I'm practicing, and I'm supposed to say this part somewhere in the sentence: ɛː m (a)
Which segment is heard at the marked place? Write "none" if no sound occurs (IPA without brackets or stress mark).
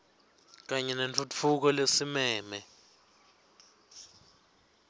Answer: ɛ